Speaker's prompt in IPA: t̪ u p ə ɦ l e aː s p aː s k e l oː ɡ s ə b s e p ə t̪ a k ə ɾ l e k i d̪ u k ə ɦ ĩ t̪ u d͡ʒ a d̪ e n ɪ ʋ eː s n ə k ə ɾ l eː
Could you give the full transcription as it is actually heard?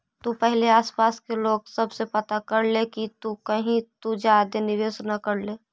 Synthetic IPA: t̪ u p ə ɦ l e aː s p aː s k e l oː ɡ s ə b s e p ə t̪ a k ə ɾ l e k i t̪ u k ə ɦ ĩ t̪ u d͡ʒ a d̪ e n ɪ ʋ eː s n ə k ə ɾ l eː